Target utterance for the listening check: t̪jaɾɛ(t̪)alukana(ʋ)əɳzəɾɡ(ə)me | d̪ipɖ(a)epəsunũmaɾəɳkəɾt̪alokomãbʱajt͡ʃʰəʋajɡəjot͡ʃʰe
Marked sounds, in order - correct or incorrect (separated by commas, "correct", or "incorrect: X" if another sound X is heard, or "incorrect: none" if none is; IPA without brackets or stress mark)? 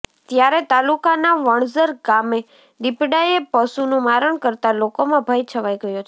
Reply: correct, correct, incorrect: a, correct